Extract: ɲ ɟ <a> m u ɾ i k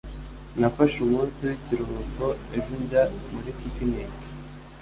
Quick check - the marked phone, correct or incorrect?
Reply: correct